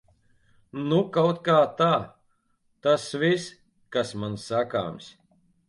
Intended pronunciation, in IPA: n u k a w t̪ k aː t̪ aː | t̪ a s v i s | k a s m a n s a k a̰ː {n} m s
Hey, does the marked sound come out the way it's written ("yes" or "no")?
no